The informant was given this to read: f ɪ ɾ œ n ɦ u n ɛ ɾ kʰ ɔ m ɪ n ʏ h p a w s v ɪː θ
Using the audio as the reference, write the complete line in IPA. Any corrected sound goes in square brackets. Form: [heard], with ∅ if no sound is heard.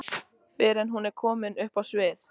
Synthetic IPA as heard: f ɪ ɾ [ɛ] n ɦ u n ɛ ɾ kʰ [ɔː] m ɪ n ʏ h p a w s v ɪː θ